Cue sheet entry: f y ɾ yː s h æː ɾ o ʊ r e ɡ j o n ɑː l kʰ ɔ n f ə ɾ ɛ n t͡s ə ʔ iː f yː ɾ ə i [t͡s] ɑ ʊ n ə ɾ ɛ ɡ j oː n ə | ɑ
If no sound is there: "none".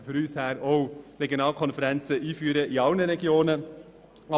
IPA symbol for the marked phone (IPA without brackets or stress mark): none